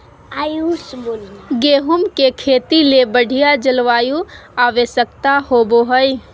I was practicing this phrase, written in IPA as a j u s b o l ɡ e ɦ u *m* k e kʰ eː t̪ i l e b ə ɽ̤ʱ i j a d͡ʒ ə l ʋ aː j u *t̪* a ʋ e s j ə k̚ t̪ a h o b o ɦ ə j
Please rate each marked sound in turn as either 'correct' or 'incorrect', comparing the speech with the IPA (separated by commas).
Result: correct, incorrect